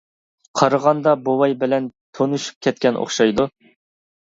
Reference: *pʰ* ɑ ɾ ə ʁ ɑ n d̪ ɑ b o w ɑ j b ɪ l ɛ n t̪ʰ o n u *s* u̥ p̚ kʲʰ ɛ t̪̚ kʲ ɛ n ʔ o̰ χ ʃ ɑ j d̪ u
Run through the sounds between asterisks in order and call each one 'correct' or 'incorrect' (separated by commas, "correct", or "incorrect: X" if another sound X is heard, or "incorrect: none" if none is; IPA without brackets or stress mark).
incorrect: qʰ, incorrect: ʃ